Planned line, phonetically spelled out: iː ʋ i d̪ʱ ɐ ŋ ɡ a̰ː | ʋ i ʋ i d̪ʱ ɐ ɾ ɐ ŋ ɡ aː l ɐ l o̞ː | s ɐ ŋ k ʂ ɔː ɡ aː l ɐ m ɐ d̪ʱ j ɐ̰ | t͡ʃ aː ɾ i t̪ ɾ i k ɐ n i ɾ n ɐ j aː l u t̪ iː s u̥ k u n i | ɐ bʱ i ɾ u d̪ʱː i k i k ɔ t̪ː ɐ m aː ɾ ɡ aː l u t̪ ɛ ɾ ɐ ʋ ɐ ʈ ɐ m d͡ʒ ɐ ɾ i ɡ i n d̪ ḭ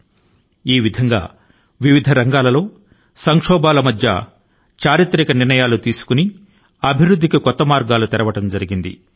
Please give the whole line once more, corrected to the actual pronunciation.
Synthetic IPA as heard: iː ʋ i d̪ʱ ɐ ŋ ɡ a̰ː | ʋ i ʋ i d̪ʱ ɐ ɾ ɐ ŋ ɡ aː l ɐ l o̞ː | s ɐ ŋ k ʂ ɔː b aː l ɐ m ɐ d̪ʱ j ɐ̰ | t͡ʃ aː ɾ i t̪ ɾ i k ɐ n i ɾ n ɐ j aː l u t̪ iː s u̥ k u n i | ɐ bʱ i ɾ u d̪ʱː i k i k ɔ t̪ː ɐ m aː ɾ ɡ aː l u t̪ ɛ ɾ ɐ ʋ ɐ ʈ ɐ m d͡ʒ ɐ ɾ i ɡ i n d̪ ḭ

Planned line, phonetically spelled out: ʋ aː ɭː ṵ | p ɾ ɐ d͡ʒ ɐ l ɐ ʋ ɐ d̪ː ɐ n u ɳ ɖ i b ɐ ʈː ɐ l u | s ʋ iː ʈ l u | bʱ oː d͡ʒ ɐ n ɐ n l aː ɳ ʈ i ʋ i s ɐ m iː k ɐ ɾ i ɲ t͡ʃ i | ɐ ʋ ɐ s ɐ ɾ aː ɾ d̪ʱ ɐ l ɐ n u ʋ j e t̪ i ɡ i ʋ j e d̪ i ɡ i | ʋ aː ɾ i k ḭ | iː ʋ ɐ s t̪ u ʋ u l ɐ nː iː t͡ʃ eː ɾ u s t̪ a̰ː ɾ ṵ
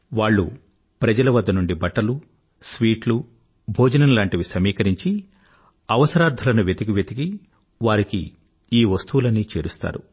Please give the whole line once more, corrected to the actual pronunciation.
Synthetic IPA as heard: ʋ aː ɭː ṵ | p ɾ ɐ d͡ʒ ɐ l ɐ ʋ ɐ d̪ː ɐ n u ɳ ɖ i b ɐ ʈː ɐ l u | s ʋ iː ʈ l u | bʱ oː d͡ʒ ɐ n ɐ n l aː ɳ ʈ i ʋ i s ɐ m iː k ɐ ɾ i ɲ t͡ʃ i | ɐ ʋ ɐ s ɐ ɾ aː ɾ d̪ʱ ɐ l ɐ n u ʋ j e t̪ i ɡ i ʋ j e t̪ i ɡ i | ʋ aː ɾ i k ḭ | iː ʋ ɐ s t̪ u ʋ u l ɐ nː iː t͡ʃ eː ɾ u s t̪ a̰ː ɾ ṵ

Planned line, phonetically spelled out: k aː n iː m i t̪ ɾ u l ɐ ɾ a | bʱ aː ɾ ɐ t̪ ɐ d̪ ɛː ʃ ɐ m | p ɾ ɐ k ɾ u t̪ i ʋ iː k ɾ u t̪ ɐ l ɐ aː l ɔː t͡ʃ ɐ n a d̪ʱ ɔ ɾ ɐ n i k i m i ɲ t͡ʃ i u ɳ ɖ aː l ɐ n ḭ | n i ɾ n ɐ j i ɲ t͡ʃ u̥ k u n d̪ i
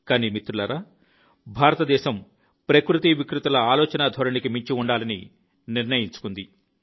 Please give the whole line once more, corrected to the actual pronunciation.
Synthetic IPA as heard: k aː n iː m i t̪ ɾ u l ɐ ɾ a | bʱ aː ɾ ɐ t̪ ɐ d̪ ɛː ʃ ɐ m | p ɾ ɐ k ɾ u t̪ i ʋ i k ɾ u t̪ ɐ l ɐ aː l ɔː t͡ʃ ɐ n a d̪ʱ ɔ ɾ ɐ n i k i m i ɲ t͡ʃ i u ɳ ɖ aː l ɐ n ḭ | n i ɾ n ɐ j i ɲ t͡ʃ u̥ k u n d̪ i

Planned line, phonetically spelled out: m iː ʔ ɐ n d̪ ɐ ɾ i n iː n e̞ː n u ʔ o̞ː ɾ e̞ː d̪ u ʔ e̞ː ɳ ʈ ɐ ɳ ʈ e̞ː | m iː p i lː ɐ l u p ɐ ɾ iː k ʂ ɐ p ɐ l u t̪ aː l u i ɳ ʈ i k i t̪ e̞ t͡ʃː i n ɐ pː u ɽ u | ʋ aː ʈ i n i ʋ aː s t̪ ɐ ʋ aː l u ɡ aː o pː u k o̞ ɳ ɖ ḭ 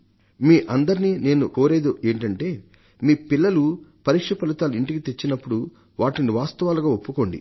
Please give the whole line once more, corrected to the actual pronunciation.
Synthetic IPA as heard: m iː ʔ ɐ n d̪ ɐ ɾ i n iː n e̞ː n u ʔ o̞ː ɾ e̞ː d̪ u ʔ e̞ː ɳ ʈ ɐ ɳ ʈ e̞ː | m iː p i lː ɐ l u p ɐ ɾ iː k ʂ ɐ p ɐ l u t̪ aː l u i ɳ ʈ i k i t̪ e̞ t͡ʃː i n ɐ pː u ɽ u | ʋ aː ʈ i n i ʋ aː s t̪ ɐ ʋ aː l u ɡ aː o pː u k o̞ ɳ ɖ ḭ

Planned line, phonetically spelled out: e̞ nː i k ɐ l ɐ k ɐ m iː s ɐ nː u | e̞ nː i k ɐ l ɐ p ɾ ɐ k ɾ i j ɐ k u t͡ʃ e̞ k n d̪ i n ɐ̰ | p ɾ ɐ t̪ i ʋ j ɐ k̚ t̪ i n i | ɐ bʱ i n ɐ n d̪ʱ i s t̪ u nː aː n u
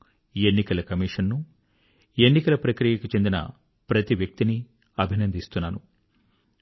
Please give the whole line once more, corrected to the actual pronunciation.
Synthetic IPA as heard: e̞ nː i k ɐ l ɐ k ɐ m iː ʂ ɐ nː u | e̞ nː i k ɐ l ɐ p ɾ ɐ k ɾ i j ɐ k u t͡ʃ e̞ n d̪ i n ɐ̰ | p ɾ ɐ t̪ i ʋ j ɐ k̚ t̪ i n i | ɐ bʱ i n ɐ n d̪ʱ i s t̪ u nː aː n u

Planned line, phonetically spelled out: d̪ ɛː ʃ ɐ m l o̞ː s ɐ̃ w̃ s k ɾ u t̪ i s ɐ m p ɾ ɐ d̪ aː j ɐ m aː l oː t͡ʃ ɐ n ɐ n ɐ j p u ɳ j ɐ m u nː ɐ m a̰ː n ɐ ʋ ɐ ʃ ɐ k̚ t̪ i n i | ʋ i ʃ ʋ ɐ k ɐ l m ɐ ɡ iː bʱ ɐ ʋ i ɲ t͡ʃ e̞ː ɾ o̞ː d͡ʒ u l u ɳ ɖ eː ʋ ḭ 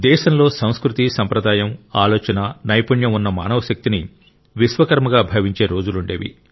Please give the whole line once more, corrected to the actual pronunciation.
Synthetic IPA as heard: d̪ ɛː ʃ ɐ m l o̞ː s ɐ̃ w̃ s k ɾ u t̪ i s ɐ m p ɾ ɐ d̪ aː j ɐ m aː l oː t͡ʃ ɐ n ɐ n ɐ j p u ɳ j ɐ m u nː ɐ m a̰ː n ɐ ʋ ɐ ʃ ɐ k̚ t̪ i n i | ʋ i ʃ ʋ ɐ k ɐ ɾ m ɐ ɡ aː bʱ ɐ ʋ i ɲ t͡ʃ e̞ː ɾ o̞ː d͡ʒ u l u ɳ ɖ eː ʋ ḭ

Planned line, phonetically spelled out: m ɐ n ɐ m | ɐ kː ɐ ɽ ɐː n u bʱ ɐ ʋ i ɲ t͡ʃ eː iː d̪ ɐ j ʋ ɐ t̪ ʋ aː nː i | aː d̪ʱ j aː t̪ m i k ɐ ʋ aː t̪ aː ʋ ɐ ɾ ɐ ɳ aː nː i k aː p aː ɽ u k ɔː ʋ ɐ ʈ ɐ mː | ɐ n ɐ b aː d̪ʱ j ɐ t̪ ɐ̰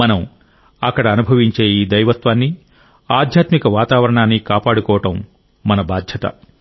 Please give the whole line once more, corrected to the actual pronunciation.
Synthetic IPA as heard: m ɐ n ɐ m | ɐ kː ɐ ɽ ɐː n u bʱ ɐ ʋ i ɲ t͡ʃ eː iː d̪ ɐ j ʋ ɐ t̪ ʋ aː nː i | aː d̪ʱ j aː t̪ m i k ɐ ʋ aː t̪ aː ʋ ɐ ɾ ɐ ɳ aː nː i k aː p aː ɽ u k ɔː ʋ ɐ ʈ ɐ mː | ɐ n ɐ b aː d̪ʱ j ɐ t̪ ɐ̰

